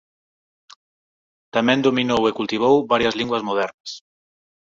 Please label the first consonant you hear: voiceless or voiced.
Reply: voiceless